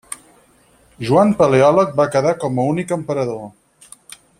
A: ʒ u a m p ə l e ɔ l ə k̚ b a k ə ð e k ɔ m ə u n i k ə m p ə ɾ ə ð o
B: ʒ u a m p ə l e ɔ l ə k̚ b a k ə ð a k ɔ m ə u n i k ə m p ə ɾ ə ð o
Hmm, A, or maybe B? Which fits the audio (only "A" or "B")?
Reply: B